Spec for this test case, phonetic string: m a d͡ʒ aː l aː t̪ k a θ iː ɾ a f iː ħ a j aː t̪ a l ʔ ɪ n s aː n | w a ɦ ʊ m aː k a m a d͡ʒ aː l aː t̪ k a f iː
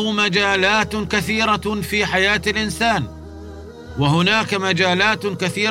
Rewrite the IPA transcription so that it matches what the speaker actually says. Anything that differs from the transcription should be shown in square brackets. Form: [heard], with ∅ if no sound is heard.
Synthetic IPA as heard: m a d͡ʒ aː l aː t̪ k a θ iː ɾ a f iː ħ a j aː t̪ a l ʔ ɪ n s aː n | w a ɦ ʊ [n] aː k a m a d͡ʒ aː l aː t̪ k a [θ] iː